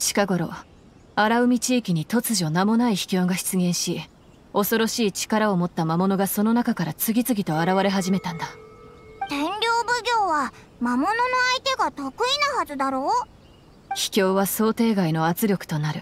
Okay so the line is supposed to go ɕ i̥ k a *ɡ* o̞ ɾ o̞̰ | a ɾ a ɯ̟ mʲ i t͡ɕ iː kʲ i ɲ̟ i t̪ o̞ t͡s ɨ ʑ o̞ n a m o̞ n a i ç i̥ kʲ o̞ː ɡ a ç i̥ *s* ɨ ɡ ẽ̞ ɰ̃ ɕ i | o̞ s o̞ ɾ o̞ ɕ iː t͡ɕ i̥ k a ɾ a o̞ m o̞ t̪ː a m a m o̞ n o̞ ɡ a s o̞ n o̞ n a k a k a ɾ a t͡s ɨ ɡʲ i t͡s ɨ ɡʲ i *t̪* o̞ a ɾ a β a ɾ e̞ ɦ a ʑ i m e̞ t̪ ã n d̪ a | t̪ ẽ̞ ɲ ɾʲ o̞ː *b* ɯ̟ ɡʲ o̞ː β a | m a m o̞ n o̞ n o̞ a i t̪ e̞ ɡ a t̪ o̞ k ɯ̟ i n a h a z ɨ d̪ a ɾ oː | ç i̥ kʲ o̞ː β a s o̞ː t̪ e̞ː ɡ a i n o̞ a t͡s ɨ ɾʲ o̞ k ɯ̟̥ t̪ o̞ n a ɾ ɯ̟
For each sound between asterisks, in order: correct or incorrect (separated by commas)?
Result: correct, incorrect, correct, correct